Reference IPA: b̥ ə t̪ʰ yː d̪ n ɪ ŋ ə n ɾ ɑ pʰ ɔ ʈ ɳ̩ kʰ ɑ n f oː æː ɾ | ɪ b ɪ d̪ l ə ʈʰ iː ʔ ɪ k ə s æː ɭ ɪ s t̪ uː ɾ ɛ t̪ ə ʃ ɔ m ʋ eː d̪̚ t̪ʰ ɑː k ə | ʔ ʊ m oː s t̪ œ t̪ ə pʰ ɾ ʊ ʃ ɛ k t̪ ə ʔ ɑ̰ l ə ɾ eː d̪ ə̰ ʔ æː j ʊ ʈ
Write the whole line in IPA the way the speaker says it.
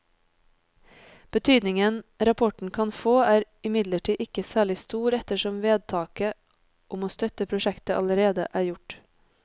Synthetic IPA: b̥ ə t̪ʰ yː d̪ n ɪ ŋ ə n ɾ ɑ pʰ ɔ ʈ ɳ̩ kʰ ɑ n f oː æː ɾ | ɪ m ɪ d̪ l ə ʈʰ iː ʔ ɪ k ə s æː ɭ ɪ s t̪ uː ɾ ɛ t̪ ə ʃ ɔ m ʋ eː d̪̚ t̪ʰ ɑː k ə | ʔ ʊ m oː s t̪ œ t̪ ə pʰ ɾ ʊ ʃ ɛ k t̪ ə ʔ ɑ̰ l ə ɾ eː d̪ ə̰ ʔ æː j ʊ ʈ